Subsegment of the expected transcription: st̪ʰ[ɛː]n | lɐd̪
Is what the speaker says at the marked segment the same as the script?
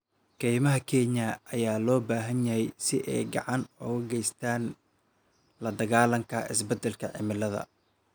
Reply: no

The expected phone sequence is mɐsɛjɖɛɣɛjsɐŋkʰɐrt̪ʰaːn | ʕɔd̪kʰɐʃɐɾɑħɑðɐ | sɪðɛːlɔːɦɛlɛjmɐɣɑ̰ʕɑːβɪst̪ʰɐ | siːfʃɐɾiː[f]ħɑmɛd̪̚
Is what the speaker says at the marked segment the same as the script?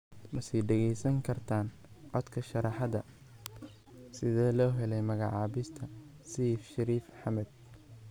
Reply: yes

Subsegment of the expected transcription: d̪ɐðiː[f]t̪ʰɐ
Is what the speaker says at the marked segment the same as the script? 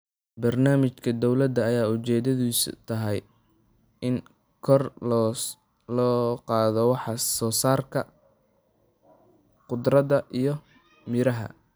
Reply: no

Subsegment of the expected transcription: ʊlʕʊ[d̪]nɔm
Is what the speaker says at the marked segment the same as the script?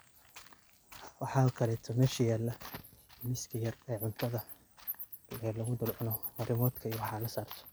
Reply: no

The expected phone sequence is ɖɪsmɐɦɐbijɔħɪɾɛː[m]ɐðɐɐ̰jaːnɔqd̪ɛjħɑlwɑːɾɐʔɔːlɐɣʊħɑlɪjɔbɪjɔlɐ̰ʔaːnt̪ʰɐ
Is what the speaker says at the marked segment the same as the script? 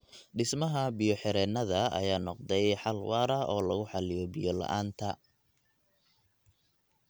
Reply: no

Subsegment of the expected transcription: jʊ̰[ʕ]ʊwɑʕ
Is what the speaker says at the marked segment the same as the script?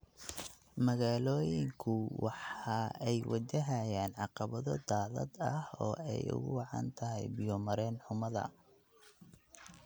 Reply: no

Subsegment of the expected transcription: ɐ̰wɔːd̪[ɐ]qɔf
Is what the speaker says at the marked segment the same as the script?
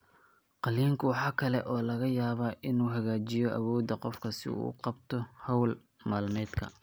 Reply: yes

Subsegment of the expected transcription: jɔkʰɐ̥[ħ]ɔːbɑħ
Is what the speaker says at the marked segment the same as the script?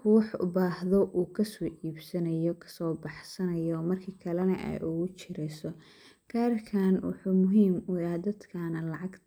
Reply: no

